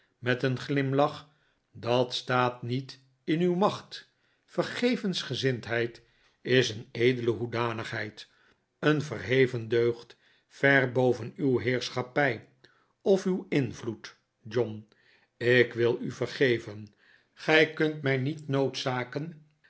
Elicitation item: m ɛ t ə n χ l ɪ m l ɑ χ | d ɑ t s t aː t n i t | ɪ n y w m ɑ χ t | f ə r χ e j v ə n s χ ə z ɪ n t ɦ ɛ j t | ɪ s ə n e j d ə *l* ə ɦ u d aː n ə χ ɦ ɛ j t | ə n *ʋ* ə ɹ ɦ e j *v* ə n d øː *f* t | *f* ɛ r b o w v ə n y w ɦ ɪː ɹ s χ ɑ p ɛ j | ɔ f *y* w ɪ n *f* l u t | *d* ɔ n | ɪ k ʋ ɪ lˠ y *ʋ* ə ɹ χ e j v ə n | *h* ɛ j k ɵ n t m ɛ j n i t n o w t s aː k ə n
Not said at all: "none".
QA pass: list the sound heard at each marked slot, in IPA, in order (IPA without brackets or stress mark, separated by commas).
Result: l, v, v, χ, f, y, v, d͡ʒ, v, χ